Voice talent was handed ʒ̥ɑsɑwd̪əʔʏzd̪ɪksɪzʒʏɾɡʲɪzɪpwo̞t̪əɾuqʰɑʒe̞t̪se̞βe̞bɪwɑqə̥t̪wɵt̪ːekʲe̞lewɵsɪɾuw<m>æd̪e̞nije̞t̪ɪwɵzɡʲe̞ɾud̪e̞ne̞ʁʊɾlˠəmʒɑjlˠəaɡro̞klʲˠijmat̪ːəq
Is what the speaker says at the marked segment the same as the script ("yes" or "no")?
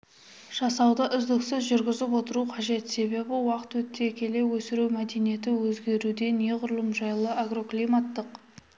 yes